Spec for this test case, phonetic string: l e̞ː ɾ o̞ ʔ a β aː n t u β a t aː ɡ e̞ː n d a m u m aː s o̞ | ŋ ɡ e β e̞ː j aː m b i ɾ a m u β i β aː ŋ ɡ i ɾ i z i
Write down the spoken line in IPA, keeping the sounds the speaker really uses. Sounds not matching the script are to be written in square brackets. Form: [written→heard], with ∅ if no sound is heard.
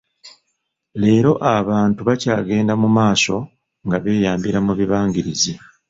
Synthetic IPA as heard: l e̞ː ɾ o̞ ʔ a β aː n t u β a [t→c] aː ɡ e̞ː n d a m u m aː s o̞ | ŋ ɡ [e→a] β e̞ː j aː m b i ɾ a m u β i β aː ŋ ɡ i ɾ i z i